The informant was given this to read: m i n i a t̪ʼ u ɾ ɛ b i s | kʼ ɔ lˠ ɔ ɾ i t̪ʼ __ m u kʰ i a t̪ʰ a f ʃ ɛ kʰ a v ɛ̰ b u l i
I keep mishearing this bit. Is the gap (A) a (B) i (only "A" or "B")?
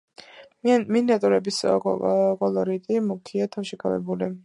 B